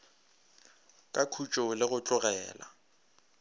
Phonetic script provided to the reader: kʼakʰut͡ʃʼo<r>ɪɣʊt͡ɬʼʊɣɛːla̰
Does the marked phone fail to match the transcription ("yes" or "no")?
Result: yes